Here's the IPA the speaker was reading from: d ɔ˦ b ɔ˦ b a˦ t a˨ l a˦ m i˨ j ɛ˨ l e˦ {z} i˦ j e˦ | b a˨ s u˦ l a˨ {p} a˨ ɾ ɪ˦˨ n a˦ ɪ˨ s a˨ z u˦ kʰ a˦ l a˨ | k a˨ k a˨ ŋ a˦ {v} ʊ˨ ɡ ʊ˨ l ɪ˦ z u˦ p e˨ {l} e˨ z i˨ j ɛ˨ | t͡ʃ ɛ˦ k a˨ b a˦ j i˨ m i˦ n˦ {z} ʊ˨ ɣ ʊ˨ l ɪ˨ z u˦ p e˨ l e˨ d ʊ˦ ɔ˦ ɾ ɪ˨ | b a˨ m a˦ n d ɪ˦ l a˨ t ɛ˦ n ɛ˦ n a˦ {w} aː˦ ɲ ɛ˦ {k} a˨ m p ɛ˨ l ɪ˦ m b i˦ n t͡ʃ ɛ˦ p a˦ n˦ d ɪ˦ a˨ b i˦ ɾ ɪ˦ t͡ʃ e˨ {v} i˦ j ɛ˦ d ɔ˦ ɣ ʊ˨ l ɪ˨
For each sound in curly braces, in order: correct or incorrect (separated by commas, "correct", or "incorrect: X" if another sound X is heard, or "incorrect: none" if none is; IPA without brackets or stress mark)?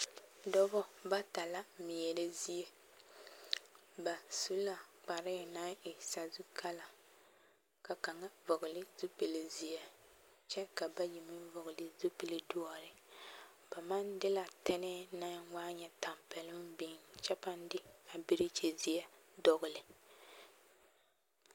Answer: correct, incorrect: k͡p, correct, correct, incorrect: v, correct, incorrect: t, incorrect: z